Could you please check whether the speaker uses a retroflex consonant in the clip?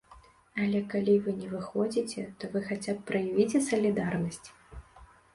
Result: no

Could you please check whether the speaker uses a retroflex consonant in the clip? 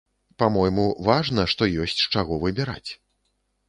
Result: yes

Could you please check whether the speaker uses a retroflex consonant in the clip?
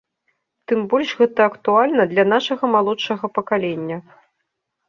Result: yes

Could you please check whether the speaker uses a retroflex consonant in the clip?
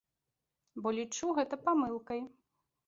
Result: yes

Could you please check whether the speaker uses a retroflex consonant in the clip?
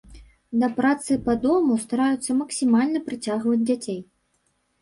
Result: no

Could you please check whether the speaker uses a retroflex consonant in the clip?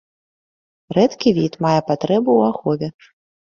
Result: no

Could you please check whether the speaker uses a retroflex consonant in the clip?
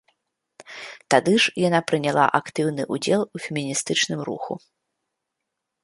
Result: yes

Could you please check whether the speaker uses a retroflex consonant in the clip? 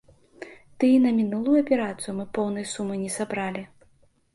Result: no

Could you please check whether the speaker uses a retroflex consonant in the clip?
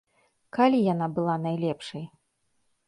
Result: yes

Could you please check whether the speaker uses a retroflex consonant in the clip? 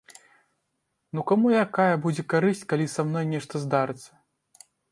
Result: yes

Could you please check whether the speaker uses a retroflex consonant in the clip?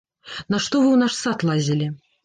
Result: yes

